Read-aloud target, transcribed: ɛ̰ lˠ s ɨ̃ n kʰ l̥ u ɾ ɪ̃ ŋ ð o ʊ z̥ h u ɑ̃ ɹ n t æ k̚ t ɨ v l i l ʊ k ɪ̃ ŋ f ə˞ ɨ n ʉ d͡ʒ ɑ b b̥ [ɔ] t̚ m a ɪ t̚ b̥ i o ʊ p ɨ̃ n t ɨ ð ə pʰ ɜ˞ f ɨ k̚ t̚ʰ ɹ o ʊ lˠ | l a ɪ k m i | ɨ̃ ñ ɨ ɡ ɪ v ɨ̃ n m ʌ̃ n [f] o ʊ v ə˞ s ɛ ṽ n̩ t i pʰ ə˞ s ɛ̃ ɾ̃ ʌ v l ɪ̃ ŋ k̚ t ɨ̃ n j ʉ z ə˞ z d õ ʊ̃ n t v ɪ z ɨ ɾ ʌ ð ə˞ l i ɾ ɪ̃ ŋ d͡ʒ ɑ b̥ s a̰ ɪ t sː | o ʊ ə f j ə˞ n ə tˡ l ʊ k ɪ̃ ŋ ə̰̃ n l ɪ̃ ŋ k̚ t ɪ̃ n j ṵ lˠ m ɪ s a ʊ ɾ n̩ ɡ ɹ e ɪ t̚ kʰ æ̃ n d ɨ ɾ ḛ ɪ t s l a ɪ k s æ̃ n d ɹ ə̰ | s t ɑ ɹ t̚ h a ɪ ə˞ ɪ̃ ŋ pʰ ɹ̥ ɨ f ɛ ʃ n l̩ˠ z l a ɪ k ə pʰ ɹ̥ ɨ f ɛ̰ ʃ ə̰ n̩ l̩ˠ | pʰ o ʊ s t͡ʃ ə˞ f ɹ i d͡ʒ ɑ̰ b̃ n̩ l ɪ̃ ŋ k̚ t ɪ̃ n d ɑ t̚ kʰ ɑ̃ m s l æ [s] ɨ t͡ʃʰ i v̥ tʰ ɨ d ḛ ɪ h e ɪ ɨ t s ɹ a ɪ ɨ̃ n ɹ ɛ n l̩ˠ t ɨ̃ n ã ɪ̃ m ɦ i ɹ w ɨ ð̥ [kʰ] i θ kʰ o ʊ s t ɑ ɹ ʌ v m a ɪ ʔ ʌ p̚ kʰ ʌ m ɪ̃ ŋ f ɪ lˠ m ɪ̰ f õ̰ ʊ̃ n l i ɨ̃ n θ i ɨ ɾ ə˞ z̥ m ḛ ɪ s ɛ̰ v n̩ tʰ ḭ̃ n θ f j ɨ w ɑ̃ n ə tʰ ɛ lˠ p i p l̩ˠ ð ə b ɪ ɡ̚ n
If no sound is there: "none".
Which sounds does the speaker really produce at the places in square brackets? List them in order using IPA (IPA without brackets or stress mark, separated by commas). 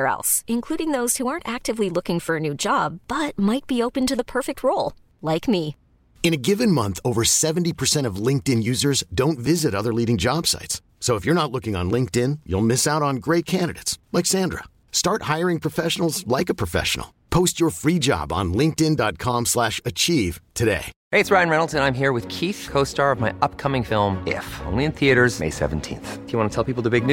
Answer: ʌ, θ, ʃ, kʰ